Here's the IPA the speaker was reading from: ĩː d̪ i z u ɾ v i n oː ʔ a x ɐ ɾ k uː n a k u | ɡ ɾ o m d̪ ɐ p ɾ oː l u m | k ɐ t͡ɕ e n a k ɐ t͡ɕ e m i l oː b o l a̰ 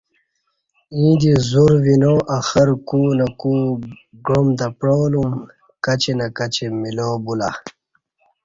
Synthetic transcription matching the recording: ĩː d̪ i z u ɾ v i n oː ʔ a x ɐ ɾ k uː n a k u | ɡ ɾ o m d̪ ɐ p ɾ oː l u m | k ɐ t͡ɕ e n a k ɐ t͡ɕ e m i l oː b u l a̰